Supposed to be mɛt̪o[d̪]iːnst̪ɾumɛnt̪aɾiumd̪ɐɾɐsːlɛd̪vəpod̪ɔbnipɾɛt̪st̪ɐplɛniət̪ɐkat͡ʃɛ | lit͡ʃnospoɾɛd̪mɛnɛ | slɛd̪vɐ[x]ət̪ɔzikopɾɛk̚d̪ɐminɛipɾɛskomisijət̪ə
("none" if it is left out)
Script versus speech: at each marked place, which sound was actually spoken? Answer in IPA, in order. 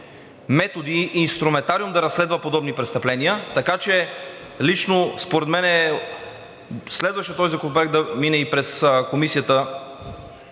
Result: d̪, ʃ

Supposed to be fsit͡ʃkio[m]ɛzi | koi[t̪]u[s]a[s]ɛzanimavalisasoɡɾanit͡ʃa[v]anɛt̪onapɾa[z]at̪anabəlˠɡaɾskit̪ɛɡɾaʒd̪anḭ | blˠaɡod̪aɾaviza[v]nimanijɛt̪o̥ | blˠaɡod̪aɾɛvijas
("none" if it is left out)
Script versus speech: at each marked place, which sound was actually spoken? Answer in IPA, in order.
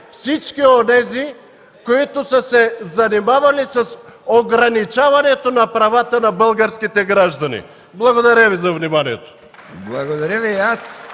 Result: n, t̪, s, s, v, v, v

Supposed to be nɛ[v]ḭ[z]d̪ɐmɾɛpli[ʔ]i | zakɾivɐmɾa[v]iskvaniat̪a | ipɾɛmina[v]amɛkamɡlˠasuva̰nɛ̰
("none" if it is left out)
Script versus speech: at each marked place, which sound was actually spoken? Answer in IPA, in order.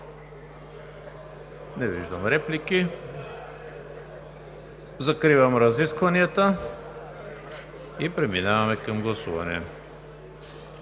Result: v, ʒ, k, z, v

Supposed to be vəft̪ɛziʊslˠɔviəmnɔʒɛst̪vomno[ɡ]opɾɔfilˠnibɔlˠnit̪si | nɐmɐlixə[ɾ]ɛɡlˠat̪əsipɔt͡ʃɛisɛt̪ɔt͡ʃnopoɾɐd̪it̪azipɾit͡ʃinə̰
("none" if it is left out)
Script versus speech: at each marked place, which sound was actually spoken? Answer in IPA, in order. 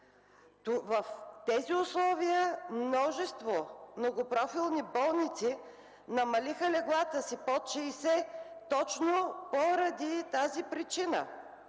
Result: ɡ, l

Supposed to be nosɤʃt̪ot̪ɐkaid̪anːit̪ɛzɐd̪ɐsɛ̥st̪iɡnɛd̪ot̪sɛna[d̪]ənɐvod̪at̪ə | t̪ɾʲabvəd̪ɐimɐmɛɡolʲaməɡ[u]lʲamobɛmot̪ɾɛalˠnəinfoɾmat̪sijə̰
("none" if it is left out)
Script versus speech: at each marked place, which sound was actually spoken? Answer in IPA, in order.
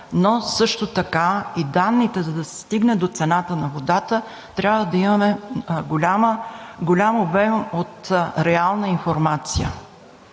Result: t̪, o

